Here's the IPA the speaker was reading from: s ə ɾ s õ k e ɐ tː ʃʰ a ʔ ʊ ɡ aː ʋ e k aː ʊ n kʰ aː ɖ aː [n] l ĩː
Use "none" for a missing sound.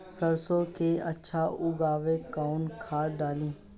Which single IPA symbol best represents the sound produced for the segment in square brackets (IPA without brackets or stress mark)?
none